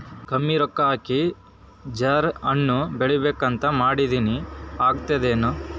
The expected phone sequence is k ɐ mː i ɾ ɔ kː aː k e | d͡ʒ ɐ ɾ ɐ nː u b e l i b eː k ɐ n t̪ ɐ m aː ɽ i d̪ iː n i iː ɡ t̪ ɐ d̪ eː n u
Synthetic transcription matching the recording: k ɐ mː i ɾ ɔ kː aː k i | d͡ʒ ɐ ɾ ɐ nː u b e ɭ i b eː k ɐ n t̪ ɐ m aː ɽ i d̪ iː n i aː ɡ t̪ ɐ d̪ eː n u